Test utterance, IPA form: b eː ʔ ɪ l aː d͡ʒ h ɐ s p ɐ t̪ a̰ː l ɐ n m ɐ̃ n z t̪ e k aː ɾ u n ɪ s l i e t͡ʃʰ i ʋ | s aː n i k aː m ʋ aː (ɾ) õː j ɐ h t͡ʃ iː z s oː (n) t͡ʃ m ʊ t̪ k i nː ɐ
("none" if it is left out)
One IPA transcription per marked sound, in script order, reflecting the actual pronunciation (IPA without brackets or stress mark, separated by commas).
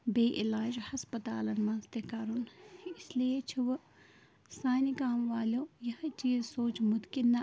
l, none